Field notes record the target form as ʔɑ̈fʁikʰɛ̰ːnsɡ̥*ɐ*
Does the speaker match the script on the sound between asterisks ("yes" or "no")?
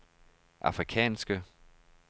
no